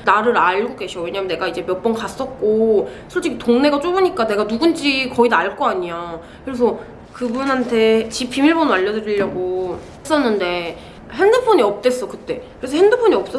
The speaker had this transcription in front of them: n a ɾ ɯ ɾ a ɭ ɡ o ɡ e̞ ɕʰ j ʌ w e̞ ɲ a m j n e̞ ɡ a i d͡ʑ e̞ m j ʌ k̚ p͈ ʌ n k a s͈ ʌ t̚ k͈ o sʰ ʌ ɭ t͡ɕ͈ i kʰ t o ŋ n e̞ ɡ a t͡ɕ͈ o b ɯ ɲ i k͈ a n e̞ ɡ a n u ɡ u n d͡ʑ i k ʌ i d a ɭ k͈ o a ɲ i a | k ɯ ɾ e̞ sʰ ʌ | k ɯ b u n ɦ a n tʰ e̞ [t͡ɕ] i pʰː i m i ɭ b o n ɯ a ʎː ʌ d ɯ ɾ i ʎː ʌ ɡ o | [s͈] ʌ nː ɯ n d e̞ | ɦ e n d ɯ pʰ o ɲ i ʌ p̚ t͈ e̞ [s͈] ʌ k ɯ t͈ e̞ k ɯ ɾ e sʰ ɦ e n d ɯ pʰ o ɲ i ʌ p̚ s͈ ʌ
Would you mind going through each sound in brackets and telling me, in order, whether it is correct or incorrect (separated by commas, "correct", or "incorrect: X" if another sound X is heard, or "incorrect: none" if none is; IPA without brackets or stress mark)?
correct, correct, correct